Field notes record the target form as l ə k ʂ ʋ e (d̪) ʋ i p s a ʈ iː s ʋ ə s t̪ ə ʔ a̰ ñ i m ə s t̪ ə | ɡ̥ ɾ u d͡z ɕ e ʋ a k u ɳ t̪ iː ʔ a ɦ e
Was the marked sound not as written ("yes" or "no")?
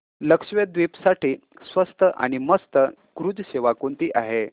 no